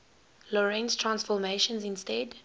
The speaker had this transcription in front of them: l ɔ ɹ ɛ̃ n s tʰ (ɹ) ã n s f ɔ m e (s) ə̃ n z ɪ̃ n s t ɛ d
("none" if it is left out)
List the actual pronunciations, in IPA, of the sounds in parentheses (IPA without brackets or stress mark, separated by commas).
ɹ, ʃ